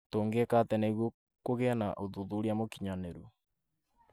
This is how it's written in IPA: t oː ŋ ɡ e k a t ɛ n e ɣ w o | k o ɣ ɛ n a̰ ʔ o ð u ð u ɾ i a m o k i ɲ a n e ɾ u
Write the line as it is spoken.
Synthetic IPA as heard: t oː ŋ ɡ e k a t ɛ n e ɣ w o | k o ɣ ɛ n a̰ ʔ o ð u ð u ɾ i a m o k i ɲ a n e ɾ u